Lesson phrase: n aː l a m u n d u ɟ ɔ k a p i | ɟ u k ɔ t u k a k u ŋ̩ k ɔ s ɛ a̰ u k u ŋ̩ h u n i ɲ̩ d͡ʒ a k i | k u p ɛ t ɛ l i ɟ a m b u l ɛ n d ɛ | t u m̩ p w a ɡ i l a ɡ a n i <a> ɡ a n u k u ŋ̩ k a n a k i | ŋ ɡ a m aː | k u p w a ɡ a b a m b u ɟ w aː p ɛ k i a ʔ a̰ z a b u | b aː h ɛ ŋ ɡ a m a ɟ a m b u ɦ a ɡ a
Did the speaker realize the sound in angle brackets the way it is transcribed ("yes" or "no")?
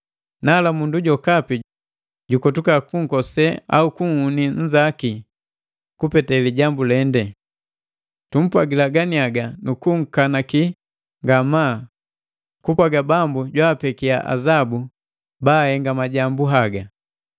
yes